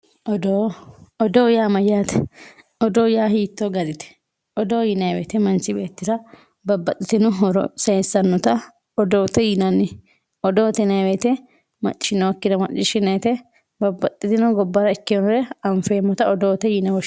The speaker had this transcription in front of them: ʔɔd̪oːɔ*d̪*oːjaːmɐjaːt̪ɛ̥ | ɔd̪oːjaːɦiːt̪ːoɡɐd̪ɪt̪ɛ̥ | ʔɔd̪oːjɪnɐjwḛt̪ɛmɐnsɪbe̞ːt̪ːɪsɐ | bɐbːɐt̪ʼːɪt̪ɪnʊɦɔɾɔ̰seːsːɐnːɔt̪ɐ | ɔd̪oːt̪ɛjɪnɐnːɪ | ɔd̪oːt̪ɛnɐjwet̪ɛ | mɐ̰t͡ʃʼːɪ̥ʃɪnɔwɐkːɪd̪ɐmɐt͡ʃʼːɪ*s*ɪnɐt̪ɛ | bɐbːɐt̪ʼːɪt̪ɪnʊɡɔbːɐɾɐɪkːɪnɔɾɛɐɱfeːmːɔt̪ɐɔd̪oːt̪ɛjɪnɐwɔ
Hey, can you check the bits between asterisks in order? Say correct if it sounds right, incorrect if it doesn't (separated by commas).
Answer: correct, incorrect